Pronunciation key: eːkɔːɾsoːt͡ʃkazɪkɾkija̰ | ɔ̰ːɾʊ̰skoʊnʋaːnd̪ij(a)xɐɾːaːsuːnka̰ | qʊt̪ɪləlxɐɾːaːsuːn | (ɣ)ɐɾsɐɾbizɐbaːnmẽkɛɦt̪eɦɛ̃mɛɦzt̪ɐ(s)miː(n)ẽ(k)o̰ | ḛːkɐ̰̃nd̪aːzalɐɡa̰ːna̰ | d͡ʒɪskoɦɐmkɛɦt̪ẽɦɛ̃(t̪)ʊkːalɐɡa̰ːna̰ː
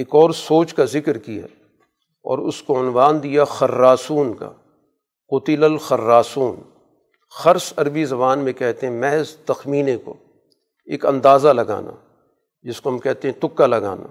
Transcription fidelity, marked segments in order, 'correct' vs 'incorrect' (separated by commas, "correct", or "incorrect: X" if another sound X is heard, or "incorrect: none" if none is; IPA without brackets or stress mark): correct, incorrect: x, incorrect: x, correct, correct, correct